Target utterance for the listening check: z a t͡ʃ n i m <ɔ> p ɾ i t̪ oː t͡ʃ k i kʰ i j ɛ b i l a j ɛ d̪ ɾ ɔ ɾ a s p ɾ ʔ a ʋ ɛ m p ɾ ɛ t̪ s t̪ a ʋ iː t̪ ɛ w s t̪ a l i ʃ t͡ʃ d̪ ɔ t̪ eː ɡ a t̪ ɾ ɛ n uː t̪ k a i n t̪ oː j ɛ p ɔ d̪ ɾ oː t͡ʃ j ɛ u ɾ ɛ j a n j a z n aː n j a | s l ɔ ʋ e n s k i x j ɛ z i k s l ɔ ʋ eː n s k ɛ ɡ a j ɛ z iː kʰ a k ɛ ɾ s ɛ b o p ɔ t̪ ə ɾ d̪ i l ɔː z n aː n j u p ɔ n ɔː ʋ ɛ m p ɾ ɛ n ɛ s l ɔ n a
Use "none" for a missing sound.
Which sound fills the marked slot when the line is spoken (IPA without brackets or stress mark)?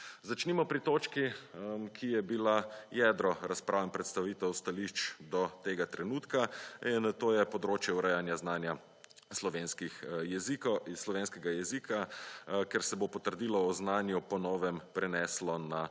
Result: ɔ